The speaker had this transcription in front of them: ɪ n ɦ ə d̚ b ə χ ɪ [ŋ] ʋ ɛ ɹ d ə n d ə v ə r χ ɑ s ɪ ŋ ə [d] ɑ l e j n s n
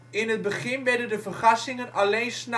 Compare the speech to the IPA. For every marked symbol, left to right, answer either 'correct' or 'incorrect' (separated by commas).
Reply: incorrect, incorrect